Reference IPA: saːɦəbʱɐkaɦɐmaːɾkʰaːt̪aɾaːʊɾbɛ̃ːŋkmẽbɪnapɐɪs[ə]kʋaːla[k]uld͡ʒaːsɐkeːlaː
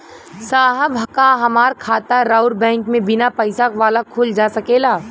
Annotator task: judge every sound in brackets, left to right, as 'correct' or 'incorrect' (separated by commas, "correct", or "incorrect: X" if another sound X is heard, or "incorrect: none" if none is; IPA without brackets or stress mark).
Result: incorrect: a, incorrect: kʰ